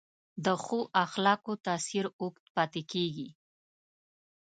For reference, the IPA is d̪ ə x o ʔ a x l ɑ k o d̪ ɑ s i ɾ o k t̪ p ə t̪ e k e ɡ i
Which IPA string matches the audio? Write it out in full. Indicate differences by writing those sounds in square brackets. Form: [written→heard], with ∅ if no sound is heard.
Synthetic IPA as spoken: d̪ ə x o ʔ a x l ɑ k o [d̪→t̪] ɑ s i ɾ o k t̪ p [ə→ɑ] t̪ e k e ɡ i